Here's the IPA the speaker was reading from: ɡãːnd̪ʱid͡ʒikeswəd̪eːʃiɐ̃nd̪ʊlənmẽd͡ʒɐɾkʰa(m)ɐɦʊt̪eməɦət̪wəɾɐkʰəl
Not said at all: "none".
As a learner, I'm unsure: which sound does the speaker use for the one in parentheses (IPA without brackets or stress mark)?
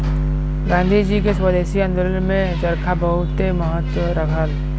b